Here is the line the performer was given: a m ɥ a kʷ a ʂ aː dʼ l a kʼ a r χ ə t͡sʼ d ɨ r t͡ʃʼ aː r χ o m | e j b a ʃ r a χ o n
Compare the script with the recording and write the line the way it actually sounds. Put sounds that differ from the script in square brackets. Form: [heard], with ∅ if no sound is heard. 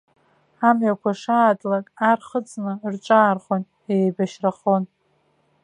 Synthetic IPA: a m ɥ a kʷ a ʂ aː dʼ l a kʼ a r χ ə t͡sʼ [n] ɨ r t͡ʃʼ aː r χ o [n] | e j b a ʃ r a χ o n